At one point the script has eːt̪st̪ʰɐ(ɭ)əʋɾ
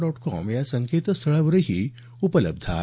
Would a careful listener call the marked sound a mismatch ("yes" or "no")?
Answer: no